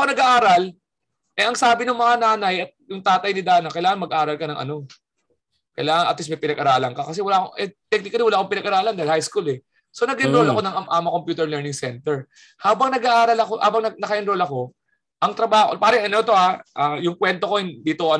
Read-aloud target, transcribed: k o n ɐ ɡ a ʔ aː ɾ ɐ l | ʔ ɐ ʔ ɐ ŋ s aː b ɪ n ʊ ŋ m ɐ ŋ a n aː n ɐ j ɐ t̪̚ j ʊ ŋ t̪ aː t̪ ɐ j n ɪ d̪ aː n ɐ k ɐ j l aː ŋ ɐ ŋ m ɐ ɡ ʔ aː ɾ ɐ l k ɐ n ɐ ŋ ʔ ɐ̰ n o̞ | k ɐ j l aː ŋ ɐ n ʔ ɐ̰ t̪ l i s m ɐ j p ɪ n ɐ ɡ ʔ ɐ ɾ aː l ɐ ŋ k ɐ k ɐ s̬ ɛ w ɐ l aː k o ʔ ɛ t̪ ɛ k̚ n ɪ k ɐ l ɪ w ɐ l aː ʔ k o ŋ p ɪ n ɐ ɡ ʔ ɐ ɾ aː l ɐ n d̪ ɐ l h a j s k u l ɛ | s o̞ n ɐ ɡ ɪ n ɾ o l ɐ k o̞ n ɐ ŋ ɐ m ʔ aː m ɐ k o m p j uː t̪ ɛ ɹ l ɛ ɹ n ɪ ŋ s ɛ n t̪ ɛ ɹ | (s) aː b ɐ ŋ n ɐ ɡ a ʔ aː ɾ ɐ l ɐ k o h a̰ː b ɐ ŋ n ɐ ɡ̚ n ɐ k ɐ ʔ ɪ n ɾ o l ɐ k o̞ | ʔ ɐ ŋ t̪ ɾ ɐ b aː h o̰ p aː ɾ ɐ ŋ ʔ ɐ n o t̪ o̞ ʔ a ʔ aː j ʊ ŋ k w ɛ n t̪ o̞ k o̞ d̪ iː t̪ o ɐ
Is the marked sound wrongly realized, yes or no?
yes